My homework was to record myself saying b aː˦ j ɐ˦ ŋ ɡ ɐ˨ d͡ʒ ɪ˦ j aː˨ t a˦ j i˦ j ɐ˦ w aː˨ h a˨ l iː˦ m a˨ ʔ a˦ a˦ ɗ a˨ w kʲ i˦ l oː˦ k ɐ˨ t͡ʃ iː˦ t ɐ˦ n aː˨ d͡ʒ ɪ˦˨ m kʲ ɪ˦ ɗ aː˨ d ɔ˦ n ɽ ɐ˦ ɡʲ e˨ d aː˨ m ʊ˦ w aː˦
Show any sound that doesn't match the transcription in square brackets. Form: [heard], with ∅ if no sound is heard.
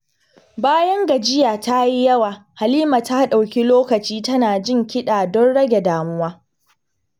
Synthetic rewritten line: b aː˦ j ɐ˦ ŋ ɡ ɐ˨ d͡ʒ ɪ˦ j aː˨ t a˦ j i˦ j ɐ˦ w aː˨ h a˨ l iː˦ m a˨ [t] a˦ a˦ ɗ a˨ w kʲ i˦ l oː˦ k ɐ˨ t͡ʃ iː˦ t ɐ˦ n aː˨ d͡ʒ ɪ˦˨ [ŋ] kʲ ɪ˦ ɗ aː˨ d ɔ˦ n ɽ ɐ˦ ɡʲ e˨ d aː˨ m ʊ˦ w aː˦